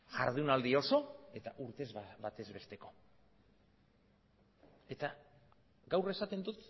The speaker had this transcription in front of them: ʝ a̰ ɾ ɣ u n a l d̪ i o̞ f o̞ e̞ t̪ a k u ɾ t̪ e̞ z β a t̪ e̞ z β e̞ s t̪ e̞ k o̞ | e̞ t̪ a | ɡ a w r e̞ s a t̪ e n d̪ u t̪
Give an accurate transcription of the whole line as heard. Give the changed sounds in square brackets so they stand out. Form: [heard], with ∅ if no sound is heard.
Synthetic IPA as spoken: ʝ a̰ ɾ [ð] u n a l d̪ i o̞ [s] o̞ e̞ t̪ a [ʔ] u ɾ t̪ e̞ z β a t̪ e̞ z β e̞ s t̪ e̞ k o̞ | e̞ t̪ a | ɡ a w r e̞ s a t̪ e n d̪ u t̪